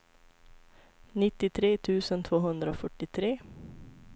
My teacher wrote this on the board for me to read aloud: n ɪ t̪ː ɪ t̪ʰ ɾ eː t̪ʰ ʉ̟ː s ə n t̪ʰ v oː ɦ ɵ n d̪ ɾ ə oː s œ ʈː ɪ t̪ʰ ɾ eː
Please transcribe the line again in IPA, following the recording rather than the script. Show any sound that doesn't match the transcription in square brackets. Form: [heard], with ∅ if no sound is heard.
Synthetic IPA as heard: n ɪ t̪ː ɪ t̪ʰ ɾ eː t̪ʰ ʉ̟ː s ə n t̪ʰ v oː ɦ ɵ n d̪ ɾ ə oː [f] œ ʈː ɪ t̪ʰ ɾ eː